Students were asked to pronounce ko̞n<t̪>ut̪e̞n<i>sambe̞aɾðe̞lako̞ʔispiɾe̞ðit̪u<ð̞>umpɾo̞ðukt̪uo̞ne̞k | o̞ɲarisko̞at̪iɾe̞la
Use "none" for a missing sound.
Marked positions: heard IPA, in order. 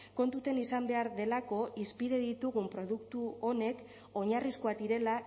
t̪, i, ɣ̞

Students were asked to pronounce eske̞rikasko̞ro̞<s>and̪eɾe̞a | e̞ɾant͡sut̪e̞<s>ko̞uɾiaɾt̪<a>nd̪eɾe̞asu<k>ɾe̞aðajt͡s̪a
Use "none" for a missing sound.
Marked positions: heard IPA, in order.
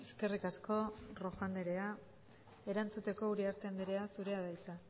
f, none, e, none

